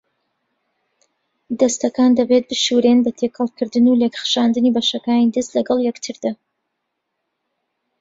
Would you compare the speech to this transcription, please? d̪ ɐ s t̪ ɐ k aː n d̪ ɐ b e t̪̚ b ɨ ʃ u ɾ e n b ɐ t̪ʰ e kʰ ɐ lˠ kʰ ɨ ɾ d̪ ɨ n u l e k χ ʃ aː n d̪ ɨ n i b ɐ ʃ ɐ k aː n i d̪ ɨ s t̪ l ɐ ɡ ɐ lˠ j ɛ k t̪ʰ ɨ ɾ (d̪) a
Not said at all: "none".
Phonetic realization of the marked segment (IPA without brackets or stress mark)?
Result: d̪